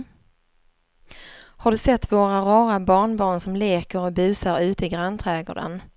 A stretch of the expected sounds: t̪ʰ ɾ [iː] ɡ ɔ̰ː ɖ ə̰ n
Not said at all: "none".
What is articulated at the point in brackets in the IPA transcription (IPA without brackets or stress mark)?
ɛː